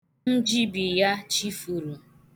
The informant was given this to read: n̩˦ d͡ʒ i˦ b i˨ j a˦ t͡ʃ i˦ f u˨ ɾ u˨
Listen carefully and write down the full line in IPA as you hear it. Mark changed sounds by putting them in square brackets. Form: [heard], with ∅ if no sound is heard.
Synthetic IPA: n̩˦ d͡ʒ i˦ b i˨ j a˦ t͡ʃ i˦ f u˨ ɾ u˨